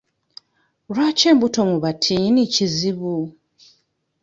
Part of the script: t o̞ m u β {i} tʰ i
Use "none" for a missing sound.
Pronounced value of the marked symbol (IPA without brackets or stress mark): a